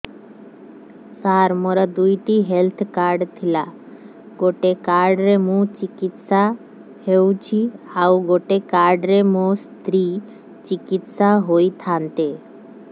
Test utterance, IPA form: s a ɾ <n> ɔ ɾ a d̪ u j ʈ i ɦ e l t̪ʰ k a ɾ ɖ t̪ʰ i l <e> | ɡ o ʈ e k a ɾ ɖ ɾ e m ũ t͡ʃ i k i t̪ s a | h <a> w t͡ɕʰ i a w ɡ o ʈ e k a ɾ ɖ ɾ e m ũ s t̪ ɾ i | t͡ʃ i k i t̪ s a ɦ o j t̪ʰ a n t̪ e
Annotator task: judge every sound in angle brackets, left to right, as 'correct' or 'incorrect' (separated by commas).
incorrect, incorrect, incorrect